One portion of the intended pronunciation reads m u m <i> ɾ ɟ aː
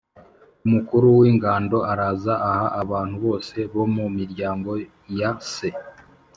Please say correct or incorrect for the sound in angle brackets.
correct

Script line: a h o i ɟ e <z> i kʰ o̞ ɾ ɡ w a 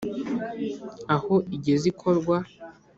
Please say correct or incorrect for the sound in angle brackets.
correct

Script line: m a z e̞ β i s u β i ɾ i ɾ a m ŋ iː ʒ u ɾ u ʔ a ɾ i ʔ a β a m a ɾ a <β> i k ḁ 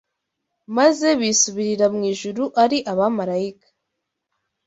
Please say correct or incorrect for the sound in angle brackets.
incorrect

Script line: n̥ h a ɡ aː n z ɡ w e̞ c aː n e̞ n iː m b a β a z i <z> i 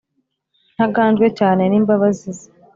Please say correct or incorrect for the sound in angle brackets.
correct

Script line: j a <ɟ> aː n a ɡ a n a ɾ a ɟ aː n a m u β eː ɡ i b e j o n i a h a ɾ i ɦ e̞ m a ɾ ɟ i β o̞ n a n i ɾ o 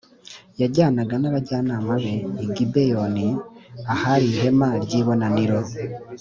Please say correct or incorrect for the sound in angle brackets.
correct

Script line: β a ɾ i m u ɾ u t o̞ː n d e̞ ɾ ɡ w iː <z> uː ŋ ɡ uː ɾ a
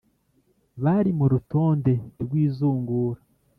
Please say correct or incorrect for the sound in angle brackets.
correct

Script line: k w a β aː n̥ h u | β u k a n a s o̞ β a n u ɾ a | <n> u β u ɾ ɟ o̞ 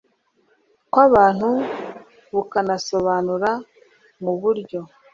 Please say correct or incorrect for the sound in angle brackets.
incorrect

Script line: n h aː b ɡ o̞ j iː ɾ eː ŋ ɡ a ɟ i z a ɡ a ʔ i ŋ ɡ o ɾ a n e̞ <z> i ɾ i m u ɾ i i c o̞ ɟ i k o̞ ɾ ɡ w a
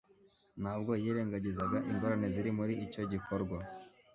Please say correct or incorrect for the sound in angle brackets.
correct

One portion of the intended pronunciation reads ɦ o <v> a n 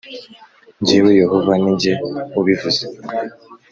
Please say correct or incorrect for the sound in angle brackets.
correct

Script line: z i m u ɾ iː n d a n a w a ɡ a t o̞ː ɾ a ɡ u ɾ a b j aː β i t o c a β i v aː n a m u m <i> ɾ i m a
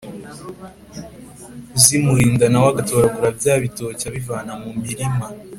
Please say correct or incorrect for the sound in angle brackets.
correct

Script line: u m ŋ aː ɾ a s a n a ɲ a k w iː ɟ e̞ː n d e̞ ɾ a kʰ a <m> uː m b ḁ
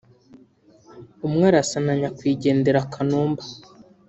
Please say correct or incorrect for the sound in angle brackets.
incorrect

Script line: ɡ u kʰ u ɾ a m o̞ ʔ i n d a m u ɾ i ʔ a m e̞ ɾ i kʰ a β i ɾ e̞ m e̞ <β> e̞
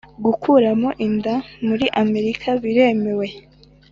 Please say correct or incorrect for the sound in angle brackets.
incorrect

